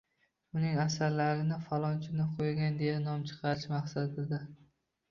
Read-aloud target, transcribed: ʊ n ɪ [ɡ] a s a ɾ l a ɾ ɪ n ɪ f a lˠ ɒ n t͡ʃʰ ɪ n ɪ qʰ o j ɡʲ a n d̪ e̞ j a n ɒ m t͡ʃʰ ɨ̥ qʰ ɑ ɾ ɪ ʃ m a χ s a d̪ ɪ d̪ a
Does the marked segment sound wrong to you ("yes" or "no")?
yes